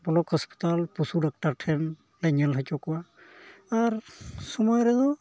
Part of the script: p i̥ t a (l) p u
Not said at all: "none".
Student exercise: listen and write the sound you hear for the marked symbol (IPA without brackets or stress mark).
l